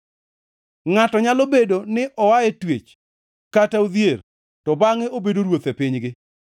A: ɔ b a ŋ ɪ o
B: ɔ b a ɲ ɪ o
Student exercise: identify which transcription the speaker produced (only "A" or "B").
A